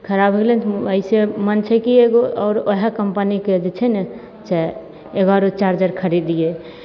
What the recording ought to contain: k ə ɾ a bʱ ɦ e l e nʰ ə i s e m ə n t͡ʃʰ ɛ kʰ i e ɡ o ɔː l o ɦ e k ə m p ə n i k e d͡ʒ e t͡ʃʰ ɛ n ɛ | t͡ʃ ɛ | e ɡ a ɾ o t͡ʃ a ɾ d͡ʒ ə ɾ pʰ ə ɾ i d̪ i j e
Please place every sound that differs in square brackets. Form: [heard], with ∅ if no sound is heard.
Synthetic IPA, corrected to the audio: [kʰ] ə ɾ a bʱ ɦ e l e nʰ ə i s e m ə n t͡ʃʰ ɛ [k] i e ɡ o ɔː [ɾ] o ɦ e k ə m p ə n i k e d͡ʒ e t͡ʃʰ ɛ n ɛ | t͡ʃ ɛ | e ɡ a ɾ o t͡ʃ a ɾ d͡ʒ ə ɾ [kʰ] ə ɾ i d̪ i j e